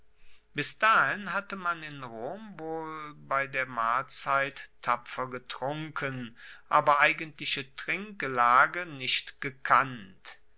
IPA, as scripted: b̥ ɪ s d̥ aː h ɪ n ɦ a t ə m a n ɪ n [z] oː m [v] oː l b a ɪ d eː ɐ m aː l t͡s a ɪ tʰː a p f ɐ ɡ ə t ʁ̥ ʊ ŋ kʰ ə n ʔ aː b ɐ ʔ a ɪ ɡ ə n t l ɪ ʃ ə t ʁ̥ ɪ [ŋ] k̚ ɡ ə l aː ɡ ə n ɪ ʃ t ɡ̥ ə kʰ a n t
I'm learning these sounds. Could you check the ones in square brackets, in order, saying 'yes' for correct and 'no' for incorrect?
no, yes, yes

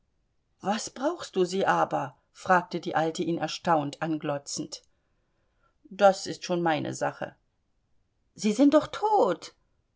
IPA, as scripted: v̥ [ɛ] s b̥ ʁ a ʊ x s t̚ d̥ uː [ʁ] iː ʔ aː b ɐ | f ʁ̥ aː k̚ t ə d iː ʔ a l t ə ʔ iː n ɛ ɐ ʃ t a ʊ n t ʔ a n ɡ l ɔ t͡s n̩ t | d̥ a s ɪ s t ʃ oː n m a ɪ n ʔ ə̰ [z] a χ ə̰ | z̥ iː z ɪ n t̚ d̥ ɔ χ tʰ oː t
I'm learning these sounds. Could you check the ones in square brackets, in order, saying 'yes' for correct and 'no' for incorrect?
no, no, yes

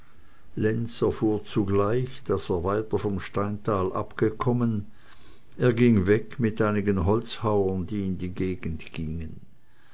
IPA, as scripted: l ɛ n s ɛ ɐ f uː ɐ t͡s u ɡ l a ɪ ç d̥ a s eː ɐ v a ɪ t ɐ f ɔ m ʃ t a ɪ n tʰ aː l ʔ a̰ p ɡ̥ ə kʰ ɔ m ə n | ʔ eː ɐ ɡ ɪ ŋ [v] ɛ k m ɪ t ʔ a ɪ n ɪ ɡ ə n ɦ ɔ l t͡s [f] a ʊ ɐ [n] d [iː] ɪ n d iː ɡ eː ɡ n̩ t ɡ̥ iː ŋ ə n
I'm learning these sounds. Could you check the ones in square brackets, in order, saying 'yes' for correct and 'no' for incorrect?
yes, no, yes, yes

